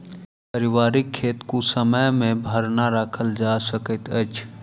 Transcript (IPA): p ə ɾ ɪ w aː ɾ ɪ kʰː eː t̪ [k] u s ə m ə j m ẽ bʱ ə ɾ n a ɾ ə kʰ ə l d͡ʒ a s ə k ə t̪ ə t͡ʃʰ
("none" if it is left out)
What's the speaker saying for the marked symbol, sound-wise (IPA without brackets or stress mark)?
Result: k